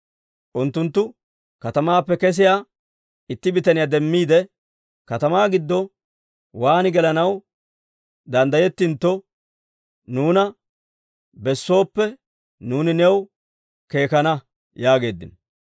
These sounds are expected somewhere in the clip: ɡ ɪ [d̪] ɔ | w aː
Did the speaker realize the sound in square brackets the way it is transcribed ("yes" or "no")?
no